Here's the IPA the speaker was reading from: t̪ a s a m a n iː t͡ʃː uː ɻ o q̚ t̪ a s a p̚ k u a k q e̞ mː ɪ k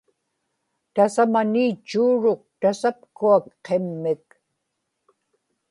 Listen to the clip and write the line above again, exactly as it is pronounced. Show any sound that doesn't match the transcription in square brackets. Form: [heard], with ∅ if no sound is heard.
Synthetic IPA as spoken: t̪ a s a m a n iː t͡ʃː uː ɻ o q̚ t̪ a s a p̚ k u a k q e̞ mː ɪ k